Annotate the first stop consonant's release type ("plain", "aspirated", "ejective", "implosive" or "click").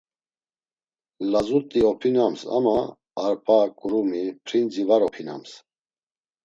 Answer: ejective